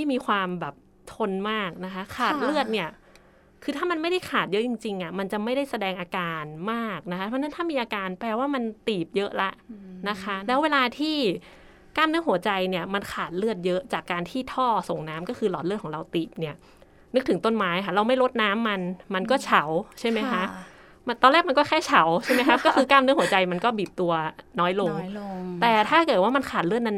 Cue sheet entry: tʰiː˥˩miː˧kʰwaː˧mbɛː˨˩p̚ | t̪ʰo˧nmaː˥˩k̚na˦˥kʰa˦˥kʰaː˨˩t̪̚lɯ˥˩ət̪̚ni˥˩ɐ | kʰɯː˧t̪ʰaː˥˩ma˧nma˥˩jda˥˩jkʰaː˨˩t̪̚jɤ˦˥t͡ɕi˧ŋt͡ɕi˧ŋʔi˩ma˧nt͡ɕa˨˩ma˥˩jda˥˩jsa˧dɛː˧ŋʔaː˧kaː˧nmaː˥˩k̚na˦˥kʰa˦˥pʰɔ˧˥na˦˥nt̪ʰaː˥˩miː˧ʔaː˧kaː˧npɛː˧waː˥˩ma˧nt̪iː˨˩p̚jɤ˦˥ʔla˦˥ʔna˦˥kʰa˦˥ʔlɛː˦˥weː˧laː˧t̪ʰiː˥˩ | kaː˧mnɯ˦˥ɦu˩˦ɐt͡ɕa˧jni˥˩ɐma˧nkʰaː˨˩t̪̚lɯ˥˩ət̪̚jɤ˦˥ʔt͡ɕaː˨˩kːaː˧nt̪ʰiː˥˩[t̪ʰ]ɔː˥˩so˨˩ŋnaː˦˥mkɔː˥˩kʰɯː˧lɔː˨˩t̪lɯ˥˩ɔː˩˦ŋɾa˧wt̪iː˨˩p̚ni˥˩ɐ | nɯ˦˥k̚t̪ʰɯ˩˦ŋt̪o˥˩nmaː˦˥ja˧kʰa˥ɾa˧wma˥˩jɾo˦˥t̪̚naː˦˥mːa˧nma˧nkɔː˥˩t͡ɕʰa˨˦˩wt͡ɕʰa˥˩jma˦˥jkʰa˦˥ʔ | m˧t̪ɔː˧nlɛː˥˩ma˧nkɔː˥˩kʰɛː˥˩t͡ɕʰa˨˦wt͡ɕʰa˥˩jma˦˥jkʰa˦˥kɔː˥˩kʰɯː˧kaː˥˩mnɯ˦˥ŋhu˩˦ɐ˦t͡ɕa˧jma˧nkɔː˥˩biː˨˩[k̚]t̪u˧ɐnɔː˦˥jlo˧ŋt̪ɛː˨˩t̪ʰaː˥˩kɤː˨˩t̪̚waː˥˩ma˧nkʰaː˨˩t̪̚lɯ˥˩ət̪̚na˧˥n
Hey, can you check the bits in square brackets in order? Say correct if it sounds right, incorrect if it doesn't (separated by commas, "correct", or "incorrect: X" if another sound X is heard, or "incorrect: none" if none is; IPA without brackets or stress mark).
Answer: correct, incorrect: p̚